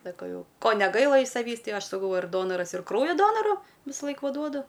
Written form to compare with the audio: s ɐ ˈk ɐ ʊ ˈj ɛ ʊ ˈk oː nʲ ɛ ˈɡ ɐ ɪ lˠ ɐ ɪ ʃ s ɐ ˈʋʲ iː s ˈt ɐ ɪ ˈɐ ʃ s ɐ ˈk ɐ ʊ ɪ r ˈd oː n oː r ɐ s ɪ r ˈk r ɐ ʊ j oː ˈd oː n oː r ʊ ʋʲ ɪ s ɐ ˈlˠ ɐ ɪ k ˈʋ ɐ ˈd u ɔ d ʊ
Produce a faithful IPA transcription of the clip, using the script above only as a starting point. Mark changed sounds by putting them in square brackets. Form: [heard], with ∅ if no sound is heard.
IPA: s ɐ ˈk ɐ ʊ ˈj ɛ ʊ ˈk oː nʲ ɛ ˈɡ ɐ ɪ lˠ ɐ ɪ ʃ s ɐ ˈʋʲ iː s ˈt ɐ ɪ ˈɐ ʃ s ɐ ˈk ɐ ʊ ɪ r ˈd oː n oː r ɐ s ɪ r ˈk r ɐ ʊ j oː ˈd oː n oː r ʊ ʋʲ ɪ s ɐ ˈlˠ ɐ ɪ k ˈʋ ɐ ˈd u ɔ d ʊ